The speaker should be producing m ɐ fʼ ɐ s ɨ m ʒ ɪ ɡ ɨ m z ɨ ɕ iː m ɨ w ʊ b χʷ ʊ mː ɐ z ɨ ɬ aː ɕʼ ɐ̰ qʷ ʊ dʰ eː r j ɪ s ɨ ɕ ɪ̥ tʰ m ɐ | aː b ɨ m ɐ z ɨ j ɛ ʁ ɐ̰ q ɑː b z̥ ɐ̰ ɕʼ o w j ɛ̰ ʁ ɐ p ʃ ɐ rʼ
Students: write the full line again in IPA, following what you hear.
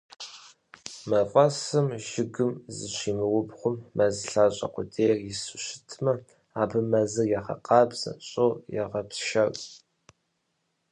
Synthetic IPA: m ɐ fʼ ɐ s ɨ m ʒ ɪ ɡ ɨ m z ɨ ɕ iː m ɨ w ʊ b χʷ ʊ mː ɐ z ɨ ɬ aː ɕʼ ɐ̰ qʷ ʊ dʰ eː r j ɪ s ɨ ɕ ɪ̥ tʰ m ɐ | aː b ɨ m ɐ z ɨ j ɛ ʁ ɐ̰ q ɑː b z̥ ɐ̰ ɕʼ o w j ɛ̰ ʁ ɐ p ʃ ɐ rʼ

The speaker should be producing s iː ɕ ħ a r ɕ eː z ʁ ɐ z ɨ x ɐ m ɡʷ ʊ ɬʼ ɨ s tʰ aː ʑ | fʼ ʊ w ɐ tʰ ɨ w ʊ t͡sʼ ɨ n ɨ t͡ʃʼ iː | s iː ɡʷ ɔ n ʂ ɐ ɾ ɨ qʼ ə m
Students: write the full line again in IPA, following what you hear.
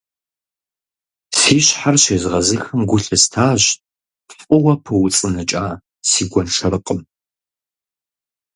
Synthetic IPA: s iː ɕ ħ a r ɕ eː z ʁ ɐ z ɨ x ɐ m ɡʷ ʊ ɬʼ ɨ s tʰ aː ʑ | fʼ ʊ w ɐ pʰ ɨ w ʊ t͡sʼ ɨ n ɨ t͡ʃʼ aː | s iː ɡʷ ɔ n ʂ ɐ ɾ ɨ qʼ ə m

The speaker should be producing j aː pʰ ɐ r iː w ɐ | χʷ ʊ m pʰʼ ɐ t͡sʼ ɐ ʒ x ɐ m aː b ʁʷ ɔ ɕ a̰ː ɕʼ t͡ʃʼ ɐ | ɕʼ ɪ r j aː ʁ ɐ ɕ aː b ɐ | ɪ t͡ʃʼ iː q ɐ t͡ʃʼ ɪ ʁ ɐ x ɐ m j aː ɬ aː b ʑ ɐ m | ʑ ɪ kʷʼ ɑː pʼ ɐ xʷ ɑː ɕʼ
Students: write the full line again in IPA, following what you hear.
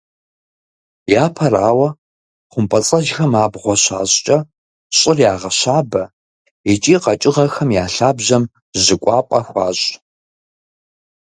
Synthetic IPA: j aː pʰ ɐ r aː w ɐ | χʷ ʊ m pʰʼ ɐ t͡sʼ ɐ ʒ x ɐ m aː b ʁʷ ɔ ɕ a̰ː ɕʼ t͡ʃʼ ɐ | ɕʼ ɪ r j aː ʁ ɐ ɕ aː b ɐ | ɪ t͡ʃʼ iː q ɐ t͡ʃʼ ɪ ʁ ɐ x ɐ m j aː ɬ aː b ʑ ɐ m | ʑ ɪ kʷʼ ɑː pʼ ɐ xʷ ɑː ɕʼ

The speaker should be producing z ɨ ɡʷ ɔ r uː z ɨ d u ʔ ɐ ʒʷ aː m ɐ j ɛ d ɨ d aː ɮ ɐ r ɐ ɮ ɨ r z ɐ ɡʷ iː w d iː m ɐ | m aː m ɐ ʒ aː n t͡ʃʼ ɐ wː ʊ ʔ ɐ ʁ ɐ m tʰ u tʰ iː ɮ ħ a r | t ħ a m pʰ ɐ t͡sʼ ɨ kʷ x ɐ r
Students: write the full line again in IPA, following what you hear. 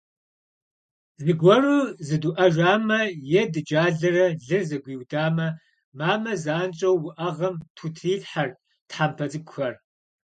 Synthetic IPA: z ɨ ɡʷ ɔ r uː z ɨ d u ʔ ɐ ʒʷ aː m ɐ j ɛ d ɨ d͡ʒ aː ɮ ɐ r ɐ ɮ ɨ r z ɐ ɡʷ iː w d aː m ɐ | m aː m ɐ z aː n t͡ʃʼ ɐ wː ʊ ʔ ɐ ʁ ɐ m tʰ u tʰ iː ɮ ħ a r | t ħ a m pʰ ɐ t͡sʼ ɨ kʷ x ɐ r

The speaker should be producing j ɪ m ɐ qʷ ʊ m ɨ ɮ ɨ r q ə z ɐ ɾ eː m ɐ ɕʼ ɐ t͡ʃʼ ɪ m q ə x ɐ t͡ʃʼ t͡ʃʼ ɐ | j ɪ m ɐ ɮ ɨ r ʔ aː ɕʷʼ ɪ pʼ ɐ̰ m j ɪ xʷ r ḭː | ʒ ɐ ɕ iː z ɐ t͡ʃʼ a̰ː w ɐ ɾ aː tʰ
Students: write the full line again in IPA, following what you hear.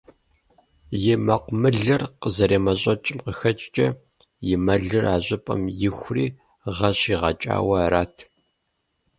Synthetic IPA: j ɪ m ɐ qʷ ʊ m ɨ ɮ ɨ r q ə z ɐ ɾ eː m ɐ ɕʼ ɐ t͡ʃʼ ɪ m q ə x ɐ t͡ʃʼ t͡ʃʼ ɐ | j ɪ m ɐ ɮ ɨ r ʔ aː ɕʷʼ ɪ pʼ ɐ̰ m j ɪ xʷ r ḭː | ʁ ɐ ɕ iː ʁ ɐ t͡ʃʼ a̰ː w ɐ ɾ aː tʰ

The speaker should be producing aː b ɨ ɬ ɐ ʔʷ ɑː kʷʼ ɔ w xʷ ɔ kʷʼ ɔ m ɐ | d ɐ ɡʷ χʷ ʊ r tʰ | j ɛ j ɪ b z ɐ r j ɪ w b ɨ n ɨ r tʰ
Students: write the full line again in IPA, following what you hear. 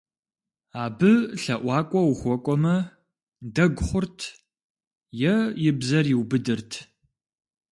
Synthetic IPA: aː b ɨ ɬ ɐ ʔʷ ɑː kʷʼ ɔ w xʷ ɔ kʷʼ ɔ m ɐ | d ɐ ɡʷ χʷ ʊ r tʰ | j ɛ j ɪ b z ɐ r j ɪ w b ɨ d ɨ r tʰ

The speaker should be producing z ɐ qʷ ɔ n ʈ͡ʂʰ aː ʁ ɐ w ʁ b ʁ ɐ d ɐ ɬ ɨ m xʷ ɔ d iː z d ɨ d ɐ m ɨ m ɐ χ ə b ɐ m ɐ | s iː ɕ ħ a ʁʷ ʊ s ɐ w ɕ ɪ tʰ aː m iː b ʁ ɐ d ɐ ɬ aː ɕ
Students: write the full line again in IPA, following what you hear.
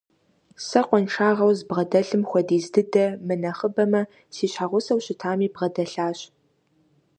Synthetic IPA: s ɐ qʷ ɔ n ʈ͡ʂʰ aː ʁ ɐ w z b ʁ ɐ d ɐ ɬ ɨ m xʷ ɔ d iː z d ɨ d ɐ m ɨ n ɐ χ ə b ɐ m ɐ | s iː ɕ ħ a ʁʷ ʊ s ɐ w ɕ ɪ tʰ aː m iː b ʁ ɐ d ɐ ɬ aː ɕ

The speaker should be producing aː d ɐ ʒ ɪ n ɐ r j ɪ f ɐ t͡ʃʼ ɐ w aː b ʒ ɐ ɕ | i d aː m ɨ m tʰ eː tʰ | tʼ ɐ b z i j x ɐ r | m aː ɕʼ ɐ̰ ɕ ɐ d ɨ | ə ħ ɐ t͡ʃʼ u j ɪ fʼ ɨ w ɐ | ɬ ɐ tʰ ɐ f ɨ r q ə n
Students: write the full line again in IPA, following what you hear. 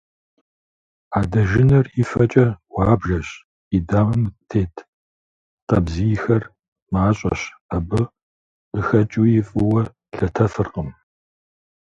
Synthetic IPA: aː d ɐ ʒ ɪ n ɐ r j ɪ f ɐ t͡ʃʼ ɐ w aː b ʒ ɐ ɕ | i d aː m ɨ m tʰ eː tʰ | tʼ ɐ b z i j x ɐ r | m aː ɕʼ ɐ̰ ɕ ɐ b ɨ | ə x ɐ t͡ʃʼ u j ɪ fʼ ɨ w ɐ | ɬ ɐ tʰ ɐ f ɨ r q ə m

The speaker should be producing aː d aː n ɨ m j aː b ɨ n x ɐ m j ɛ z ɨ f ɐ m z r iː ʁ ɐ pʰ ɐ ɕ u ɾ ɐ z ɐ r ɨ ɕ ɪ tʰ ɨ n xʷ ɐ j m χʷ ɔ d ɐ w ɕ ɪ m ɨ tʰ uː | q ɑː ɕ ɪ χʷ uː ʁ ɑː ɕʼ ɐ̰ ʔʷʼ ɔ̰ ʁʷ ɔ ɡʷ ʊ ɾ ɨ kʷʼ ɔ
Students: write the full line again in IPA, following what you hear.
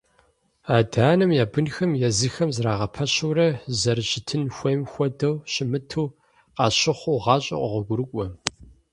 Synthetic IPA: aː d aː n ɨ m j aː b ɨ n x ɐ m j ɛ z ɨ x ɐ m z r aː ʁ ɐ pʰ ɐ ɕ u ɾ ɐ z ɐ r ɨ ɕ ɪ tʰ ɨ n xʷ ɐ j m xʷ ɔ d ɐ w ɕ ɪ m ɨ tʰ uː | q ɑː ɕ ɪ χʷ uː ʁ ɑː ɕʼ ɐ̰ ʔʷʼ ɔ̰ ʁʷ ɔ ɡʷ ʊ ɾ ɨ kʷʼ ɔ

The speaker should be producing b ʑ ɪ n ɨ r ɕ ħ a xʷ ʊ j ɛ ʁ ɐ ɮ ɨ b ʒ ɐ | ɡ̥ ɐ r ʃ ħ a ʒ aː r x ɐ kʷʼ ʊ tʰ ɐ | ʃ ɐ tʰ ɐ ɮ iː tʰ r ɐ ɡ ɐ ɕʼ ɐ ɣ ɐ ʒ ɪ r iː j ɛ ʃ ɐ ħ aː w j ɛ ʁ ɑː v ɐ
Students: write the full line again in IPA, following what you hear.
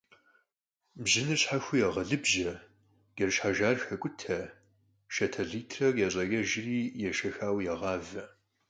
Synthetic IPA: b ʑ ɪ n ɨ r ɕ ħ a xʷ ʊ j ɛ ʁ ɐ ɮ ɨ b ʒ ɐ | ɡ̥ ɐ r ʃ ħ a ʒ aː r x ɐ kʷʼ ʊ tʰ ɐ | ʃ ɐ tʰ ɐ ɮ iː tʰ r ɐ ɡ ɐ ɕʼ ɐ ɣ ɐ ʒ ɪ r iː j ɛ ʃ ɐ x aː w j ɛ ʁ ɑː v ɐ

